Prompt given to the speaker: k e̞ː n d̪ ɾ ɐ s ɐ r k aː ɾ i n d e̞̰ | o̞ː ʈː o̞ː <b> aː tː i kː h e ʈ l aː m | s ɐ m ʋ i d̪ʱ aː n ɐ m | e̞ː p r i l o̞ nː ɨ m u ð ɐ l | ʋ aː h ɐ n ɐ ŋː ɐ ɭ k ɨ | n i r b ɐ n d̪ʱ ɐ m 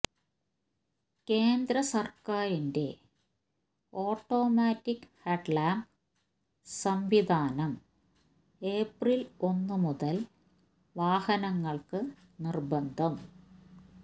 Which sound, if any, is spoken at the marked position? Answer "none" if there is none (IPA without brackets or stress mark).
m